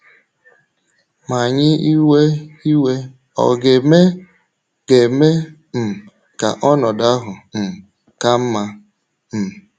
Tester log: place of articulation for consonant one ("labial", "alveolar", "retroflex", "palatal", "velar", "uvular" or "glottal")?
labial